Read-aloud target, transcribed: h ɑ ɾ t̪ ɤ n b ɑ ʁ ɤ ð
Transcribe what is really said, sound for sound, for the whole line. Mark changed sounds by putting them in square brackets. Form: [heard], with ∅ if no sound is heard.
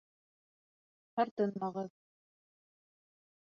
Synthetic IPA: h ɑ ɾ t̪ ɤ n [m] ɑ ʁ ɤ ð